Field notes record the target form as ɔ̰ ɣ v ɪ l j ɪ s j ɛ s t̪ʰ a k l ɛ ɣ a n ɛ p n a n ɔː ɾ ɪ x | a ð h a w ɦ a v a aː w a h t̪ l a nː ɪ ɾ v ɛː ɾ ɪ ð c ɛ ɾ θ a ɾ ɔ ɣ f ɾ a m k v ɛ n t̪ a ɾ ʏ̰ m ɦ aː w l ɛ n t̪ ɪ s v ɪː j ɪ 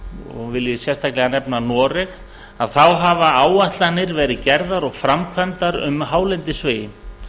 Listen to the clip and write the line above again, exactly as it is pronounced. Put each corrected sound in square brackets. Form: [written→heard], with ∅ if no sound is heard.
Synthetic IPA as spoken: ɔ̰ ɣ v ɪ l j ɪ s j ɛ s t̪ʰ a k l ɛ ɣ a n ɛ p n a n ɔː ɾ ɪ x | a ð [h→θ] a w ɦ a v a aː w a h t̪ l a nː ɪ ɾ v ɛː ɾ ɪ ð c ɛ ɾ [θ→ð] a ɾ ɔ ɣ f ɾ a m [k→kʰ] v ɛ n t̪ a ɾ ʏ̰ m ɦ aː w l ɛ n t̪ ɪ s v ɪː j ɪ